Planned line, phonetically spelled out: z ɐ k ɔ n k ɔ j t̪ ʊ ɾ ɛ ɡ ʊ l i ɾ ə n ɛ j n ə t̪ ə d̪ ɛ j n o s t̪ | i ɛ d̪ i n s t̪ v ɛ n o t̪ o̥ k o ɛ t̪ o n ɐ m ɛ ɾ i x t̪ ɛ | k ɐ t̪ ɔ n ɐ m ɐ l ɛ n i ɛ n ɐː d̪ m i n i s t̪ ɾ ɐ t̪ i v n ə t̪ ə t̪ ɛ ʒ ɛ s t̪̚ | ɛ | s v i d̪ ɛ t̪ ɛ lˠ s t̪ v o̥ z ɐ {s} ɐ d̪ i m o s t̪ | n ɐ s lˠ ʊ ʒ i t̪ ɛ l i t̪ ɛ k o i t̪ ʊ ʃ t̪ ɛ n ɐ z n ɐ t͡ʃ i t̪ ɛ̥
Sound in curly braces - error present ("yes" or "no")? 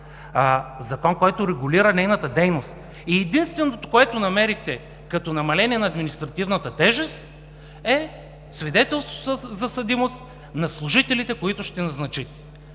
no